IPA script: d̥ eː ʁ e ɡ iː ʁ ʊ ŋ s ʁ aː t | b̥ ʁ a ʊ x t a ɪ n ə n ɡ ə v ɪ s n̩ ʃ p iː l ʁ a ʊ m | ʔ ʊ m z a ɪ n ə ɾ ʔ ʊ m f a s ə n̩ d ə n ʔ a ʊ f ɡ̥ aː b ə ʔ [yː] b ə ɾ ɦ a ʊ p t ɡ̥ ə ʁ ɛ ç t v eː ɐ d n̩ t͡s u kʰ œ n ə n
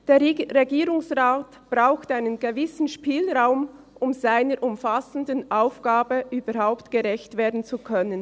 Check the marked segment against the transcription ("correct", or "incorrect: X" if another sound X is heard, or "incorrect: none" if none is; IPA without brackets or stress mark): correct